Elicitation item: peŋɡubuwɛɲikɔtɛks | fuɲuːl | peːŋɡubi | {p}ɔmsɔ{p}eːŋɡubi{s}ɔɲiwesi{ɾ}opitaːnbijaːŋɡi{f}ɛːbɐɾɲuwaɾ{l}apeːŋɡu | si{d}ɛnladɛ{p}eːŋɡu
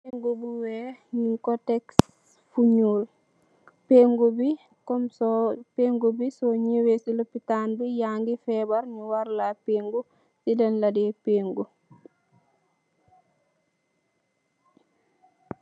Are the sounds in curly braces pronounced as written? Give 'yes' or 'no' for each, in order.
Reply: no, yes, yes, no, yes, yes, yes, yes

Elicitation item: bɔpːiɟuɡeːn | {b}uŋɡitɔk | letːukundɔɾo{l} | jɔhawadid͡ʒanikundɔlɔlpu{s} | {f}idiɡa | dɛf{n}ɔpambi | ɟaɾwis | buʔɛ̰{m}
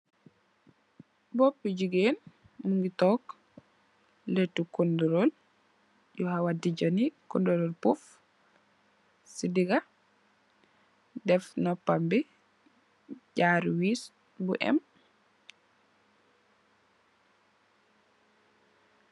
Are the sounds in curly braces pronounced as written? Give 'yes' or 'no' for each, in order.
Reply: no, yes, no, no, yes, yes

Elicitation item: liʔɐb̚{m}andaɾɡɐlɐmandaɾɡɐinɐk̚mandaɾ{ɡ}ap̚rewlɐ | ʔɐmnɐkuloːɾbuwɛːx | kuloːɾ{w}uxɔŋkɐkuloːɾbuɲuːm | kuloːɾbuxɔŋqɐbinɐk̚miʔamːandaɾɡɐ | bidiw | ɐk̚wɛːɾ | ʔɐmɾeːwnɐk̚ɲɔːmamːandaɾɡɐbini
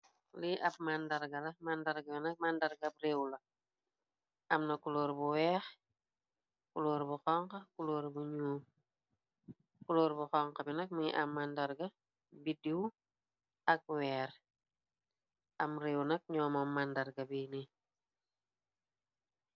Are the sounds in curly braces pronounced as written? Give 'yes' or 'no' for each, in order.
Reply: yes, yes, no

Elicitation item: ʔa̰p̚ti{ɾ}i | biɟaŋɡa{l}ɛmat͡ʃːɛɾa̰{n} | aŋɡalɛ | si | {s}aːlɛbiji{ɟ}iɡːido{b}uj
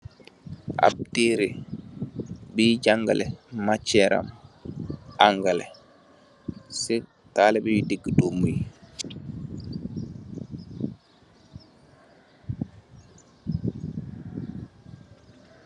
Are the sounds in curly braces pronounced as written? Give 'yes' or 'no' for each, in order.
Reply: yes, yes, no, no, no, no

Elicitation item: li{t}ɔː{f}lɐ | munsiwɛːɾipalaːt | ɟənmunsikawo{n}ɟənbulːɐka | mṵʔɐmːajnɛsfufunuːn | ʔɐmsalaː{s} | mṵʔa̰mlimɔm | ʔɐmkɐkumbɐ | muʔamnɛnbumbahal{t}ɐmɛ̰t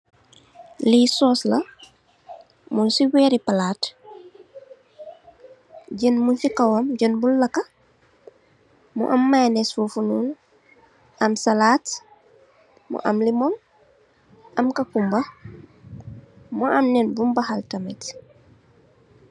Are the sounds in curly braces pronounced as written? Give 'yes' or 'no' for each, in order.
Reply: no, no, no, no, yes

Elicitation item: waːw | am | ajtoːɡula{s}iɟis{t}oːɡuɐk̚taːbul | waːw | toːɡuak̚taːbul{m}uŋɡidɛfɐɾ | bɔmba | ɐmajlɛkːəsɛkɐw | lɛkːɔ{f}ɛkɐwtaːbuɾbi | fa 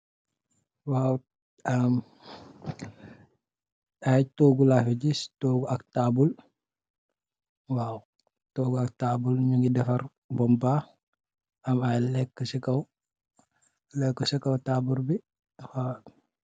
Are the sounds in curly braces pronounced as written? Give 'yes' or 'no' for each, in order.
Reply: no, yes, no, no

